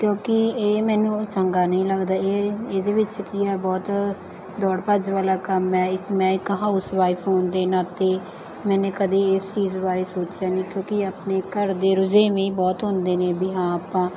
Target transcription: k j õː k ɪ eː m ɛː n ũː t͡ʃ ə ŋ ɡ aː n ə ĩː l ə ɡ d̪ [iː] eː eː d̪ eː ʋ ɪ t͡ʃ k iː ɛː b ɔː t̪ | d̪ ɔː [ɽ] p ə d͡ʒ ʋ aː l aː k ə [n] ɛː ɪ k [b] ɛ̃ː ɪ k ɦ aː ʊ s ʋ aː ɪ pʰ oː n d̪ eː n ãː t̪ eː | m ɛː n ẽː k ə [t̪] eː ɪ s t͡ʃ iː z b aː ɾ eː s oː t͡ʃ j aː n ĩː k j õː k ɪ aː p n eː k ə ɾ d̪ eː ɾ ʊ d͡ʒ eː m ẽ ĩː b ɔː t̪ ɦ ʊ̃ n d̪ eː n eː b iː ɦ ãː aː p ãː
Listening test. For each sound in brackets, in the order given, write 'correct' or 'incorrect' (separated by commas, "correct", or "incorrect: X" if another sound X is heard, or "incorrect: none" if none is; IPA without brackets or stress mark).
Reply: incorrect: aː, correct, incorrect: m, incorrect: m, incorrect: d̪